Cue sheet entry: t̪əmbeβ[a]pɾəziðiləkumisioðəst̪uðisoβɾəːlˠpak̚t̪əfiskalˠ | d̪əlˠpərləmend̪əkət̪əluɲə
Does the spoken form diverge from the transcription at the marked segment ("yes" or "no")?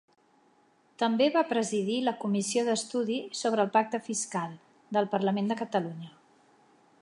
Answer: no